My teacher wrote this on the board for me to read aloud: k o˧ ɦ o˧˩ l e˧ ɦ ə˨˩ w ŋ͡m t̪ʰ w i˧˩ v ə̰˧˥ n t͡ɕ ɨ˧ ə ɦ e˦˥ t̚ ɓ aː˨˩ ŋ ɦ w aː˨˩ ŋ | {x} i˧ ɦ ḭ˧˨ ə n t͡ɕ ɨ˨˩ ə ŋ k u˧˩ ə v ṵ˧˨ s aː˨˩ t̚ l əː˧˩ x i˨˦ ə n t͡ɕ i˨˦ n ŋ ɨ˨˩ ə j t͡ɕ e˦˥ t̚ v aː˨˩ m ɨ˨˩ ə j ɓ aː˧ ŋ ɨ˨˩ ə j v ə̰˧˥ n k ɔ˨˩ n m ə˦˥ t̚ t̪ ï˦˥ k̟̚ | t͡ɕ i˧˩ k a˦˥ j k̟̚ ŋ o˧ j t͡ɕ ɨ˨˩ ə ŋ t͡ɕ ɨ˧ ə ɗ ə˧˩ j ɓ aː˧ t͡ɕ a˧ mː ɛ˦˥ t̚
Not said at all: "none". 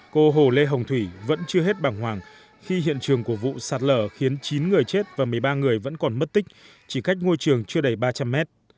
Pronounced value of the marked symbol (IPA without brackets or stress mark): x